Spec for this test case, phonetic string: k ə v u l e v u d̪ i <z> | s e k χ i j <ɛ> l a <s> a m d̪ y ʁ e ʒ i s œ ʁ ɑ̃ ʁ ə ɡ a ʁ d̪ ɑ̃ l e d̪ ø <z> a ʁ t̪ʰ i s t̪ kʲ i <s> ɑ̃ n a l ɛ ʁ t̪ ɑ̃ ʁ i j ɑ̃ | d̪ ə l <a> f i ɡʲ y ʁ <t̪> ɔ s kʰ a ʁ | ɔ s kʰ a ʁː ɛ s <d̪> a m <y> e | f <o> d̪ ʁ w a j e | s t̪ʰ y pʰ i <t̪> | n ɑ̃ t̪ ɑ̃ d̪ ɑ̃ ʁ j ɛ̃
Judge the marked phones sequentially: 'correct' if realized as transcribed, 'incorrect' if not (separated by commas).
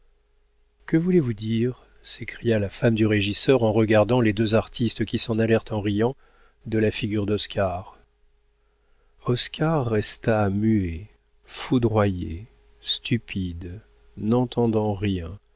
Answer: incorrect, incorrect, incorrect, correct, correct, correct, incorrect, incorrect, correct, incorrect, incorrect